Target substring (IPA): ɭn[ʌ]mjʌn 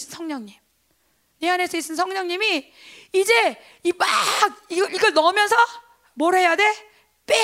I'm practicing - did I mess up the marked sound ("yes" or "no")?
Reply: no